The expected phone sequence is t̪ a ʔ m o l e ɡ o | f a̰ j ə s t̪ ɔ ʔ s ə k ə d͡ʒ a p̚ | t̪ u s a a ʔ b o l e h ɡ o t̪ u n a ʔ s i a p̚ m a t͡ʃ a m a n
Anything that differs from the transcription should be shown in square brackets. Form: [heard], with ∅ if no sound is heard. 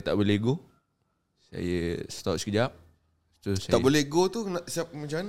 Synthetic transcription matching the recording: t̪ a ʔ [b] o l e ɡ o | [s] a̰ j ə s t̪ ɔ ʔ s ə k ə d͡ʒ a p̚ | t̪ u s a a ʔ b o l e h ɡ o t̪ u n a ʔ s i a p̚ m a t͡ʃ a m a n